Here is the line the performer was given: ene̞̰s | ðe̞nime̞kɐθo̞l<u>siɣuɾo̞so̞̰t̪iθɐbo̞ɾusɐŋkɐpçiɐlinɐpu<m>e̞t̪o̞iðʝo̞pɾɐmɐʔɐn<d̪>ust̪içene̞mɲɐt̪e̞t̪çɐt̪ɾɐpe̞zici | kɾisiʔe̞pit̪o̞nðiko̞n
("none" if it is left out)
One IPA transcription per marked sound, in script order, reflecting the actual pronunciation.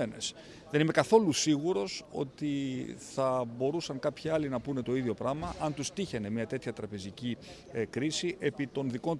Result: u, n, t̪

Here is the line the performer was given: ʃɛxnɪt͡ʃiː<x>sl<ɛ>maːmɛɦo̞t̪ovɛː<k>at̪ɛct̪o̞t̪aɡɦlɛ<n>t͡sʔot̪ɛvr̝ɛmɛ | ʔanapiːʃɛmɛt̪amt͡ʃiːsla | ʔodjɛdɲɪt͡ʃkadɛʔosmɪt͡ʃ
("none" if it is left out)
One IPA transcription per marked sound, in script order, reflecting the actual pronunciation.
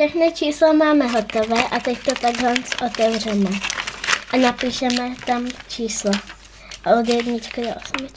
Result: none, a, ʔ, n

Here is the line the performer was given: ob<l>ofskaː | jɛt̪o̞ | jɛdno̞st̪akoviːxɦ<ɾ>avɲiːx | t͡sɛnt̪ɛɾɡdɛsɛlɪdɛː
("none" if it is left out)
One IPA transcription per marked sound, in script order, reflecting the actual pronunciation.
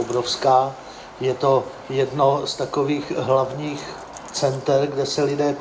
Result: ɾ, l

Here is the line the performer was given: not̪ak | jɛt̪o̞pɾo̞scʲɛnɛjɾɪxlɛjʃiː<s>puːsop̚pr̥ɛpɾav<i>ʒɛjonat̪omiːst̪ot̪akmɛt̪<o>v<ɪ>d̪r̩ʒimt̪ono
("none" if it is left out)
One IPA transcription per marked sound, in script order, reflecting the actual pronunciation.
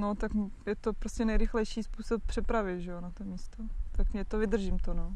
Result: s, ɪ, o, ɪ

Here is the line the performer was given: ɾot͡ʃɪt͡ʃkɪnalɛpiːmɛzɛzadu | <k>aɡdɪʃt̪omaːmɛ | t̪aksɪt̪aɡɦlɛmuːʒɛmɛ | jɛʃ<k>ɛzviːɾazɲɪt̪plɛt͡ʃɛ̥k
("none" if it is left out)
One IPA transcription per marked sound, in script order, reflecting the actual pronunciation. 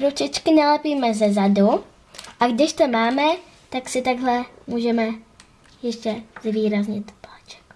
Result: ʔ, c

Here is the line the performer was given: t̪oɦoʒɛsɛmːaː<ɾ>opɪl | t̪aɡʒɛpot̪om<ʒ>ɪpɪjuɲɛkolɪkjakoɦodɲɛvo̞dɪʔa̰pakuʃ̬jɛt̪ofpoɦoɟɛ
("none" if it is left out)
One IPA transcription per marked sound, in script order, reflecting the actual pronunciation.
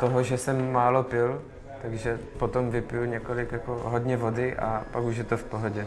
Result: l, v

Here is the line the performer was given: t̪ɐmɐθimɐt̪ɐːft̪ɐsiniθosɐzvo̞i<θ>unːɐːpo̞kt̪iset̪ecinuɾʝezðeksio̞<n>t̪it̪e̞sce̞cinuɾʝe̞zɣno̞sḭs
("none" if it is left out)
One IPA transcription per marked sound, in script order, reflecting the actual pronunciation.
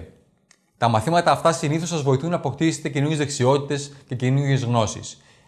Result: θ, none

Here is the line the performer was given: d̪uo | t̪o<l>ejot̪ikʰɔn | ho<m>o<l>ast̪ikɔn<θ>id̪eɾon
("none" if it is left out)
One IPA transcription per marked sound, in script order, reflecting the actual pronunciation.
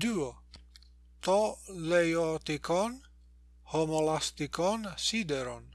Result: l, m, l, s

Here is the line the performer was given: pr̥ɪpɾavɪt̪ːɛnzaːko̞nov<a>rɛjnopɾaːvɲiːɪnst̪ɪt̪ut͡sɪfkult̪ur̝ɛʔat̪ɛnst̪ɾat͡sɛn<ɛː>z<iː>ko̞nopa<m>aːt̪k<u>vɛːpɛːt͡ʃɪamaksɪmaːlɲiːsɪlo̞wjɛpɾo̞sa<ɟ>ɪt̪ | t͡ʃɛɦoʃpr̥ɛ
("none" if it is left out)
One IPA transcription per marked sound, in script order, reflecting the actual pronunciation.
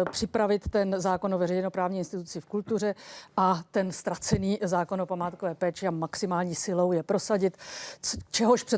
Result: ɛ, iː, aː, m, o, ɟ

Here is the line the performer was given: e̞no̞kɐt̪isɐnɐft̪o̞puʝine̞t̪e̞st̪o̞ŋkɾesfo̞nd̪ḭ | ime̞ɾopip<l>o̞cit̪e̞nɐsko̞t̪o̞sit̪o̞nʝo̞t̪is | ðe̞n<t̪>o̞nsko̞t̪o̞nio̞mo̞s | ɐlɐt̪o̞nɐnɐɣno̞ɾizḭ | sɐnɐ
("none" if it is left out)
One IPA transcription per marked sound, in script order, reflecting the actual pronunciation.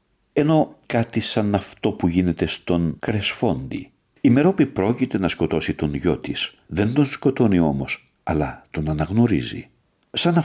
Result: ɾ, d̪

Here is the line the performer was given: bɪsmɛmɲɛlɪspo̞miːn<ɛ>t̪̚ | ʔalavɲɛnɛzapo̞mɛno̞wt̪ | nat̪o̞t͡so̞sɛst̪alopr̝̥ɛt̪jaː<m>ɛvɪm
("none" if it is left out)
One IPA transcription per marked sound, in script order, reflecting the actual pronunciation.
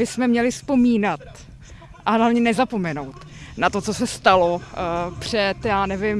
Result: a, n

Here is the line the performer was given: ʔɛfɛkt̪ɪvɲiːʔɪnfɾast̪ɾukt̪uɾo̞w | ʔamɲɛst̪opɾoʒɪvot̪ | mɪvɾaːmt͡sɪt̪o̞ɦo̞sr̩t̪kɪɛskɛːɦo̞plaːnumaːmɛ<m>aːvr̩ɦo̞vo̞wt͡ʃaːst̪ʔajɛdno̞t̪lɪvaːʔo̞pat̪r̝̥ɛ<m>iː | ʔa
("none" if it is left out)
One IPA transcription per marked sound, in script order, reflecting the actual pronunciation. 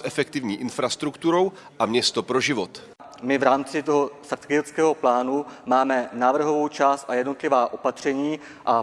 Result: n, ɲ

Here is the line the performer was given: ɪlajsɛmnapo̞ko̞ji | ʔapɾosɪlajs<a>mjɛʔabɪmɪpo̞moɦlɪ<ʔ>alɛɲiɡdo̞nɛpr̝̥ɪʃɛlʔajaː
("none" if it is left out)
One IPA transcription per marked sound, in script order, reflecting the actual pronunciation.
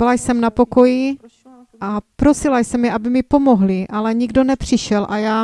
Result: ɛ, ʔ

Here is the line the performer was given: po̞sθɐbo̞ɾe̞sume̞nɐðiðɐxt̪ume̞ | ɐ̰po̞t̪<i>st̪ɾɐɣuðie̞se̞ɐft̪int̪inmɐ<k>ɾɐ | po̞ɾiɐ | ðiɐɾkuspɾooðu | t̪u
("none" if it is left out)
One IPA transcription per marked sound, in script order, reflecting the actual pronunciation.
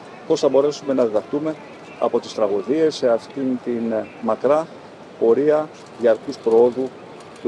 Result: i, k

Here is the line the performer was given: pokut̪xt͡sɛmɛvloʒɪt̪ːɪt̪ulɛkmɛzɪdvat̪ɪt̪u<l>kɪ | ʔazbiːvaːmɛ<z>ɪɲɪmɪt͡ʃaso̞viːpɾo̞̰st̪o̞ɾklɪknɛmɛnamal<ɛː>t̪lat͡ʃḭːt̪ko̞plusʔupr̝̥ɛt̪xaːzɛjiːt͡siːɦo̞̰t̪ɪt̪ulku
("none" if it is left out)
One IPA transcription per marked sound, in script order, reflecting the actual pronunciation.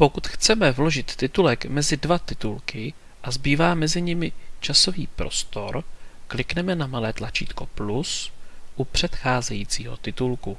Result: l, z, ɛː

